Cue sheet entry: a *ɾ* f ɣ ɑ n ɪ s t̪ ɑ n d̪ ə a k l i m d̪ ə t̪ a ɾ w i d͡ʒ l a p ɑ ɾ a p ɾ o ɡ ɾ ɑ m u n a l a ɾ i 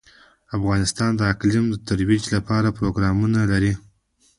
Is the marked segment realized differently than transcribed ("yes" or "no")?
yes